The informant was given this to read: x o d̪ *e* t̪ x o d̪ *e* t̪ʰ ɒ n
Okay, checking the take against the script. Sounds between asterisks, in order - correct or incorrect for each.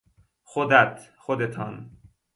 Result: incorrect, correct

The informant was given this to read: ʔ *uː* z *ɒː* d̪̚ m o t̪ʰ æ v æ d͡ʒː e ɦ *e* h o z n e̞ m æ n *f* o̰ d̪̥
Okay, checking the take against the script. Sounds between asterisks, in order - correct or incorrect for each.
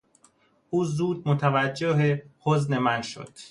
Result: correct, incorrect, correct, incorrect

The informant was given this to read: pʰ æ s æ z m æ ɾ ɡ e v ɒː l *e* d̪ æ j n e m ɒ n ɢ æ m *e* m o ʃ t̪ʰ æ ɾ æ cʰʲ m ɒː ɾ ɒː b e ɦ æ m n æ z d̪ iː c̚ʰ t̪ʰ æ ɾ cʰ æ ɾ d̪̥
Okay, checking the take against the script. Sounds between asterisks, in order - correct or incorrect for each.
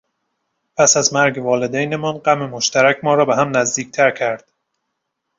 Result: correct, correct

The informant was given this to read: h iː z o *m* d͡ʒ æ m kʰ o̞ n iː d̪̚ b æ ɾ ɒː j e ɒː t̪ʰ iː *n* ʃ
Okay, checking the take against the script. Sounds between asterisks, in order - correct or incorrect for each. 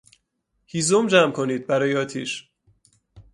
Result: correct, incorrect

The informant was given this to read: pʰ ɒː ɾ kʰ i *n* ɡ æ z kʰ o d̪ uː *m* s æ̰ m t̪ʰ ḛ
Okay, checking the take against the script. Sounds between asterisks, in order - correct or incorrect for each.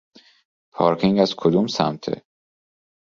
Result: incorrect, correct

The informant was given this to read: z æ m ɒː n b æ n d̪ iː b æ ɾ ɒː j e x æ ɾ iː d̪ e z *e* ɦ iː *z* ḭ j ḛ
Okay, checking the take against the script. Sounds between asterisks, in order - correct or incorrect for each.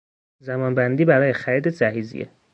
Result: incorrect, correct

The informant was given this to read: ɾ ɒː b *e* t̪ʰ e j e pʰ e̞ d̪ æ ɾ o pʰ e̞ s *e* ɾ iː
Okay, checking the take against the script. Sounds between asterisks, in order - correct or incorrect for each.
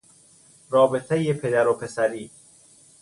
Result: correct, incorrect

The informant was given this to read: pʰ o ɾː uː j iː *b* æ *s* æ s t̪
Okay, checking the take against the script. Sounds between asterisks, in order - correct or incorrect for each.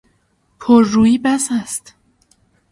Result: correct, correct

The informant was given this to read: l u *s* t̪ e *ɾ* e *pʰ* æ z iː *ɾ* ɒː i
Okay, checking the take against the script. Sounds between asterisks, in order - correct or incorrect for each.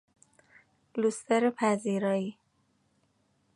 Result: correct, correct, correct, correct

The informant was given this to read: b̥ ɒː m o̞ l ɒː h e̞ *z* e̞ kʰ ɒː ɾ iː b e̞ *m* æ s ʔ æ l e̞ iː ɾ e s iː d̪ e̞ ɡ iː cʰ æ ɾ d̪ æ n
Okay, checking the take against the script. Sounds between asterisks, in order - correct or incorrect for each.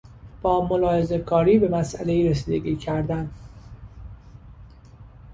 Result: correct, correct

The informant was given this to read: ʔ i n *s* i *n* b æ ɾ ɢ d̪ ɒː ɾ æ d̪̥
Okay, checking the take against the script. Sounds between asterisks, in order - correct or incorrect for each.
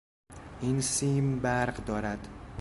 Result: correct, incorrect

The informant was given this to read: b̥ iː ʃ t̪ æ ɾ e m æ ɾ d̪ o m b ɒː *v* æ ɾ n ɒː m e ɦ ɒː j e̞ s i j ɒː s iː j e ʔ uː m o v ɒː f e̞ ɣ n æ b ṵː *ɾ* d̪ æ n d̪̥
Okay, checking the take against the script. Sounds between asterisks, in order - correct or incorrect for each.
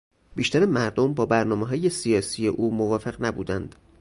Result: incorrect, incorrect

